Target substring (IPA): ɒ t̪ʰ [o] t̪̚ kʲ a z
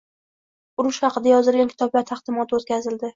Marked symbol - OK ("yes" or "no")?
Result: yes